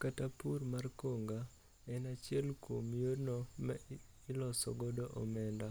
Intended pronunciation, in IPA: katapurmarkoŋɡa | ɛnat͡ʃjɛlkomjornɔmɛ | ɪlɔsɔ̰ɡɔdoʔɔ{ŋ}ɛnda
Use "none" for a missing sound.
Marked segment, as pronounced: m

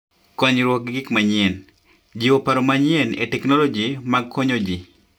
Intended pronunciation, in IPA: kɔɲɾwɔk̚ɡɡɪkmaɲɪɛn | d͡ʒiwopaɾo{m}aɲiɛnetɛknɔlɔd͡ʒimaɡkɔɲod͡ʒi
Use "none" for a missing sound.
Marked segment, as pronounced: m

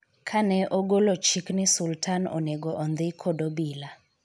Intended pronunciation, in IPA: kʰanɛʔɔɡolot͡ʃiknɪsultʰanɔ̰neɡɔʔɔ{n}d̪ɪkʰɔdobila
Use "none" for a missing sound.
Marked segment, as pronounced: n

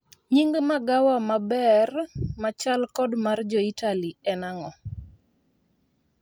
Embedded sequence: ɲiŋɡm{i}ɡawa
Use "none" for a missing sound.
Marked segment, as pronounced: a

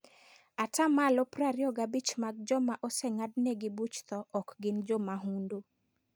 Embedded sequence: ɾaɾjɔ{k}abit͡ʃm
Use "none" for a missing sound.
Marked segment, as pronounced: ɡ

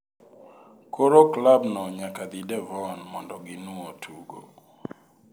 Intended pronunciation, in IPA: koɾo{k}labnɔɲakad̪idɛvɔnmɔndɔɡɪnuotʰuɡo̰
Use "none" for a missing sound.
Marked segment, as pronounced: k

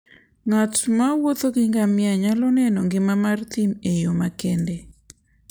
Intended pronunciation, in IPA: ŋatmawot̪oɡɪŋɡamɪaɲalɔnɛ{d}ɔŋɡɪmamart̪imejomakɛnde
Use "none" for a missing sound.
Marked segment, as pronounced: n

